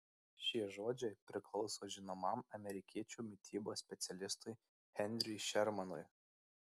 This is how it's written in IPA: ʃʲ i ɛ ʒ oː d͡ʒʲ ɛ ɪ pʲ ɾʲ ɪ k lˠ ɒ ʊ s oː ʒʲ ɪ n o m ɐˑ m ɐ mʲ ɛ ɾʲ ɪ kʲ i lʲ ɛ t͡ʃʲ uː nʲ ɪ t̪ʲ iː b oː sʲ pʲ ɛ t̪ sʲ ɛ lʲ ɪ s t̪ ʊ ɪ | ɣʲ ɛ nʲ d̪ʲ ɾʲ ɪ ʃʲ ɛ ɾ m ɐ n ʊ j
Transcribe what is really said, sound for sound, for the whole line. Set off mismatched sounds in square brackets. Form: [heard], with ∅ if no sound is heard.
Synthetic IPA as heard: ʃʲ i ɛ ʒ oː d͡ʒʲ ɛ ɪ pʲ ɾʲ ɪ k lˠ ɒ ʊ s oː ʒʲ ɪ n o m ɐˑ m ɐ mʲ ɛ ɾʲ ɪ kʲ i [∅] ɛ t͡ʃʲ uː [mʲ] ɪ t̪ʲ iː b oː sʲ pʲ ɛ t̪ sʲ ɛ lʲ ɪ s t̪ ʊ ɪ | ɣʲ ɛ nʲ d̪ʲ ɾʲ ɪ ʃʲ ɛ ɾ m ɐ n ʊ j